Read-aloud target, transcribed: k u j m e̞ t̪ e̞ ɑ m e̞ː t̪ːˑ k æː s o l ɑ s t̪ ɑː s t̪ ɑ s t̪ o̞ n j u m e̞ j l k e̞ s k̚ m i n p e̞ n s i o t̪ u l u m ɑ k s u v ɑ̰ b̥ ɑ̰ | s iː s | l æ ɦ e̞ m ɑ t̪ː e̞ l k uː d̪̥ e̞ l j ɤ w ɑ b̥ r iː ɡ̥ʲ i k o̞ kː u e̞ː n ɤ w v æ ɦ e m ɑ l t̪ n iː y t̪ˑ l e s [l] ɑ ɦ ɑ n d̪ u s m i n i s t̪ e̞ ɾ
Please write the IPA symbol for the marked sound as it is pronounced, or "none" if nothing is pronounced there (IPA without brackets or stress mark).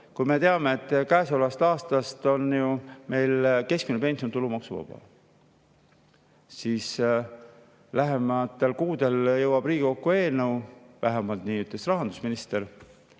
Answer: r